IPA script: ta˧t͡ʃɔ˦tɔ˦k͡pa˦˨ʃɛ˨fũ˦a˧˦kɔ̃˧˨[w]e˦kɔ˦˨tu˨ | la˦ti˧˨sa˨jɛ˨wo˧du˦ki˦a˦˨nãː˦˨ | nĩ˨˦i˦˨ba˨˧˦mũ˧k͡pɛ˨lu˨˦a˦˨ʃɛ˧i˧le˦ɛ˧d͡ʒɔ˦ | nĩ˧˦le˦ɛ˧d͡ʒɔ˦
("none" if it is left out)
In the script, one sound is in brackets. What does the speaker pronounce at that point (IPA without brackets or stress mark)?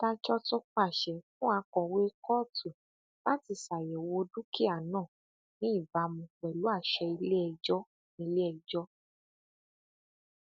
w